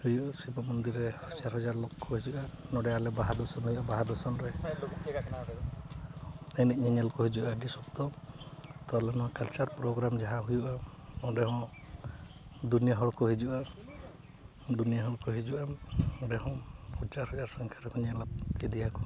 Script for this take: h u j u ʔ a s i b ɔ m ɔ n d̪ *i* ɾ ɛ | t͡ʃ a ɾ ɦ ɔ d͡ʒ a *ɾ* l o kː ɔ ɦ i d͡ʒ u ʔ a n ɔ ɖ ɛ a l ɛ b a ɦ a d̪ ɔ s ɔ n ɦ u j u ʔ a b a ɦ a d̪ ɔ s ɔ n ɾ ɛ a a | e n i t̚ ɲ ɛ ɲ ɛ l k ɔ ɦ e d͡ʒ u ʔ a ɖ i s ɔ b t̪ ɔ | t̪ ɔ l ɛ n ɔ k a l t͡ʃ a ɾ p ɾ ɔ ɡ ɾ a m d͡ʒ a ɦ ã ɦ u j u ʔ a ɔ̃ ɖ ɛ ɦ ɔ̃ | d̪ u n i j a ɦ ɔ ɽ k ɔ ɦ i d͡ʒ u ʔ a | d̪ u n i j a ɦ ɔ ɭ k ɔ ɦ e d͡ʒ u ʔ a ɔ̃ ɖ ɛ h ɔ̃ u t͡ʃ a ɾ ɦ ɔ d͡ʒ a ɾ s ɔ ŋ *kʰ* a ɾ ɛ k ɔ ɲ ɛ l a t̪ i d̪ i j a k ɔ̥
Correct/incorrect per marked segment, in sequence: correct, correct, correct

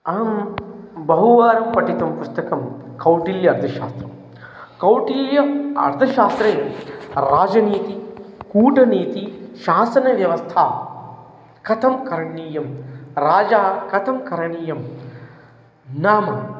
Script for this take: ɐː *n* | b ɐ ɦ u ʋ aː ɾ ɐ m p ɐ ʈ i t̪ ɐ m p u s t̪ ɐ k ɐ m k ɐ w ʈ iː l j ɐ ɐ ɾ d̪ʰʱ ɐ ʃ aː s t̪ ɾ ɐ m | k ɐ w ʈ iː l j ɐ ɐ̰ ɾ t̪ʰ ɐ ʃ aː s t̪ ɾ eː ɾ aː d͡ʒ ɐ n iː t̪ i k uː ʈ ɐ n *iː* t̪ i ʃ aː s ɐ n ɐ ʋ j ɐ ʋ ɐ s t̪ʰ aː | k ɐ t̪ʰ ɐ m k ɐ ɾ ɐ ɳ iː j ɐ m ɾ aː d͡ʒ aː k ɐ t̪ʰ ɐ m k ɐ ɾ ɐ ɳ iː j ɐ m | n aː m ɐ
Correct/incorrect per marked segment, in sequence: incorrect: m, correct

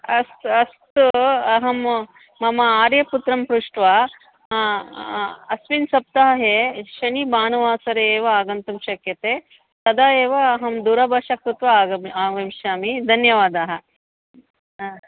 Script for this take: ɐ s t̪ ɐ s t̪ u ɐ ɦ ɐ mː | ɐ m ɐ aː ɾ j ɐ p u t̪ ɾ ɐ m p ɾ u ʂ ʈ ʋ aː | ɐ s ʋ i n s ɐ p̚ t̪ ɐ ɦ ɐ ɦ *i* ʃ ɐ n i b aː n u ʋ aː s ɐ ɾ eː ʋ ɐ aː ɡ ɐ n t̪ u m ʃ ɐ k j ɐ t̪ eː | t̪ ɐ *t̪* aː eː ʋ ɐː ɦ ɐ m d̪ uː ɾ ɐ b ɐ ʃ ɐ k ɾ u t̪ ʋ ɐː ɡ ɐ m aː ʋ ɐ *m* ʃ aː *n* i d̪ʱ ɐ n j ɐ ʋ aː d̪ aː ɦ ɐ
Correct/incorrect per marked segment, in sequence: incorrect: e, incorrect: d̪, correct, incorrect: m

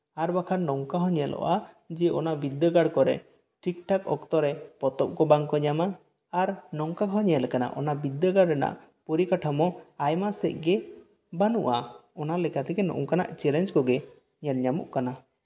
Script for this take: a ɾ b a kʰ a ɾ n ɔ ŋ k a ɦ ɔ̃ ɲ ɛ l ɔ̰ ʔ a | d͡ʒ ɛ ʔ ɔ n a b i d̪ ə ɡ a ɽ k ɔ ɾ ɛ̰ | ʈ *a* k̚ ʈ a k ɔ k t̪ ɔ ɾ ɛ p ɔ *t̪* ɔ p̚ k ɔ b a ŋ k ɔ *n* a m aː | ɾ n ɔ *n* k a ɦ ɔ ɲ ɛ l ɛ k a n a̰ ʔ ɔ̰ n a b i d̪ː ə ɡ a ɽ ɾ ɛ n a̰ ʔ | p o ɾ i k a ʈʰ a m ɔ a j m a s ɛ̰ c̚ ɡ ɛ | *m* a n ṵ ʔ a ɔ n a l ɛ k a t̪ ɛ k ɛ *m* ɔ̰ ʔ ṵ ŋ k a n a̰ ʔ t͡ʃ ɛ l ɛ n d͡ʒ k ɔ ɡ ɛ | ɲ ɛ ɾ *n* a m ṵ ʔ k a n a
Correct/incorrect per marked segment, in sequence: incorrect: i, correct, incorrect: ɲ, incorrect: ŋ, incorrect: b, incorrect: n, incorrect: ɲ

